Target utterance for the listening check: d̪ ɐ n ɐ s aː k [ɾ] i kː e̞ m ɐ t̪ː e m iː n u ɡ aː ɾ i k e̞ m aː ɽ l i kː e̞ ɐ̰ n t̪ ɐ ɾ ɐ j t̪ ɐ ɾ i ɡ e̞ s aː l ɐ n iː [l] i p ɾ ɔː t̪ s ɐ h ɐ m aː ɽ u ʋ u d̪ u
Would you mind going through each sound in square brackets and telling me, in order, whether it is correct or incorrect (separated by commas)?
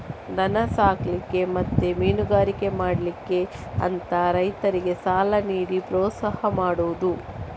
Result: incorrect, incorrect